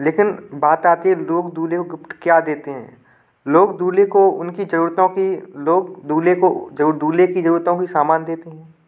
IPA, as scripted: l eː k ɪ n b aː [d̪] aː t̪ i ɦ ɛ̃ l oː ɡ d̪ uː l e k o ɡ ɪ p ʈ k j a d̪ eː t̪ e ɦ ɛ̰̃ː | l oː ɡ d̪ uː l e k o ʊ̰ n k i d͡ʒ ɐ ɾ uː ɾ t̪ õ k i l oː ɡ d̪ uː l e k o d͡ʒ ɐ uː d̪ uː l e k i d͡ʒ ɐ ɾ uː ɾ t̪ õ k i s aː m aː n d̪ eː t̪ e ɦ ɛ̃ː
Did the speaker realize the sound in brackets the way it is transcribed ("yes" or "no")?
no